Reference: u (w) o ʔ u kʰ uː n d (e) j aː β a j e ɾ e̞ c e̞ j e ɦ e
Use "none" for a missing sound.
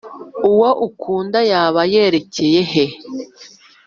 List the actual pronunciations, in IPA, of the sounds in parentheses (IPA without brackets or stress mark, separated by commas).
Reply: w, a